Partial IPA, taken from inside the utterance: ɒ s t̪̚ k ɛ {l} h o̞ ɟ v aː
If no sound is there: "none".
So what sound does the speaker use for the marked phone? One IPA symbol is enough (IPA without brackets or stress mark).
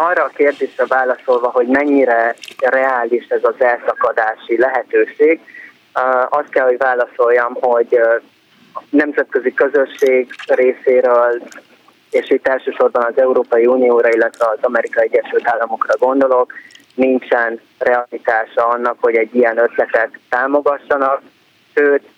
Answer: l